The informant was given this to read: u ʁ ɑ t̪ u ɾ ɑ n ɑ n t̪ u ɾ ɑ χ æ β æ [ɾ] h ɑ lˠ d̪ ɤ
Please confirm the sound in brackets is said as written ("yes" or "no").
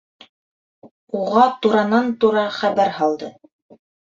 yes